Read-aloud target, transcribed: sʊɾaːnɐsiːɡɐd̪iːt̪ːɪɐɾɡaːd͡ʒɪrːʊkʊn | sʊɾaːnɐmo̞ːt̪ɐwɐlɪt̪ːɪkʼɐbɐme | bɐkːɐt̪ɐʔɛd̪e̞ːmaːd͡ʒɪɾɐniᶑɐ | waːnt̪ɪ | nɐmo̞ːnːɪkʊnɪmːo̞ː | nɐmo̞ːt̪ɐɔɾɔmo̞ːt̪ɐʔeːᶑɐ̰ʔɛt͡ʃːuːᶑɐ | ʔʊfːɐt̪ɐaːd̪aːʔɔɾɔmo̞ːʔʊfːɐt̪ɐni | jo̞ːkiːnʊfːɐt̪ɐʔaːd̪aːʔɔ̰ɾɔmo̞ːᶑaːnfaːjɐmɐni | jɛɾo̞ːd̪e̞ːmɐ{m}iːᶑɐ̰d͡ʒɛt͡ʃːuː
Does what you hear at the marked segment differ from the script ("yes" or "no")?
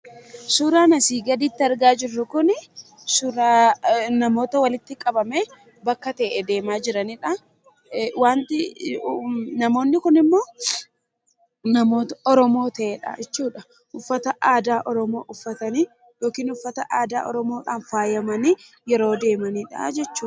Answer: yes